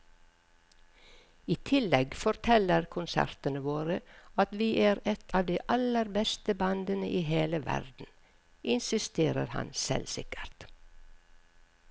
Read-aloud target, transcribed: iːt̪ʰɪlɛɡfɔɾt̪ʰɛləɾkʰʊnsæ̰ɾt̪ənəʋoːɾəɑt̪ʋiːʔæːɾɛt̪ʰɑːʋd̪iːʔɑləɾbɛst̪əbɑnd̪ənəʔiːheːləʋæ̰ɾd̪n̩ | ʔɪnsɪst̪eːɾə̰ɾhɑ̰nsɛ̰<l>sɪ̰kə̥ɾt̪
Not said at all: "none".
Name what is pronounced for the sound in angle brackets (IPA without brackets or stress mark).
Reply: l